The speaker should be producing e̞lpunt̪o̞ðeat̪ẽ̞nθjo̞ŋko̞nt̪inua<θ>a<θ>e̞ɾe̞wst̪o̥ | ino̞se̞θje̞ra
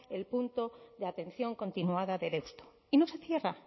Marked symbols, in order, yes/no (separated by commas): no, no